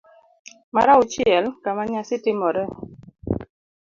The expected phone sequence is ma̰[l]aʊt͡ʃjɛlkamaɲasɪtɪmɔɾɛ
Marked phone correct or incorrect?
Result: incorrect